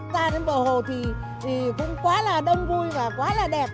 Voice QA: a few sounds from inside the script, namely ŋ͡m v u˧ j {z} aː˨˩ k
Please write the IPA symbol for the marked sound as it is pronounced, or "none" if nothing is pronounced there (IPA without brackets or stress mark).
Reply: v